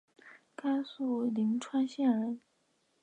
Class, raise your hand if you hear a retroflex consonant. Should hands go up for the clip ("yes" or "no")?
yes